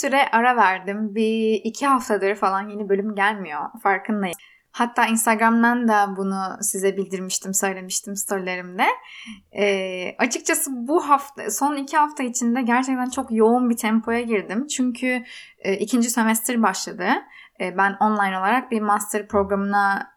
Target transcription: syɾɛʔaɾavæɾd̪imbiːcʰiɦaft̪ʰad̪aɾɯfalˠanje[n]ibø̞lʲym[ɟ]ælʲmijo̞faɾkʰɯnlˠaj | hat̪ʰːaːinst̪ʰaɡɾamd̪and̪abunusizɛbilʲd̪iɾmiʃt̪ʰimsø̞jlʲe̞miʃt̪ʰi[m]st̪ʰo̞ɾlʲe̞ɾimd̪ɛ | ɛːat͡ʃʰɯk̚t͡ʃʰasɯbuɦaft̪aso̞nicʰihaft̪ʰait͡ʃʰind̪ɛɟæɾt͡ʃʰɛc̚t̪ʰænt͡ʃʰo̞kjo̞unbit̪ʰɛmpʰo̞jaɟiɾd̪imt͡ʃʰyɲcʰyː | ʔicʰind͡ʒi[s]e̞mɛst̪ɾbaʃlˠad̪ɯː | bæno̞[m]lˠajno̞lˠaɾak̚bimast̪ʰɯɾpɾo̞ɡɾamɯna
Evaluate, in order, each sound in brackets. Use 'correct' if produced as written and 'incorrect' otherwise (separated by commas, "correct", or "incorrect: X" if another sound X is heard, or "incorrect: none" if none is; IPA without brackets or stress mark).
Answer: correct, correct, correct, correct, incorrect: n